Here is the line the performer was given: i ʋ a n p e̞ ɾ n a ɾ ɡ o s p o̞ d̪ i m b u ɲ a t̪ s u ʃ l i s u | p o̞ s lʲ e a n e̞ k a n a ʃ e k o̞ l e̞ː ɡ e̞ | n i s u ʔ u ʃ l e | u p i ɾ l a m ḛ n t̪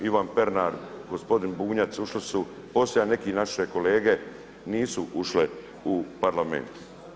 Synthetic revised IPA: i ʋ a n p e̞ ɾ n a ɾ ɡ o s p o̞ d̪ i n b uː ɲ a t̪ s u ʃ l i s u | p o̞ s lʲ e a n e̞ k i n a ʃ e k o̞ l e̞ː ɡ e̞ | n iː s u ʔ u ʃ l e | u p a ɾ l a m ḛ n t̪